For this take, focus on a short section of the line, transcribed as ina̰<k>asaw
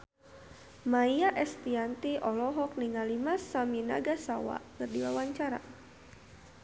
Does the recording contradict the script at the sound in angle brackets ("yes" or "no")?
yes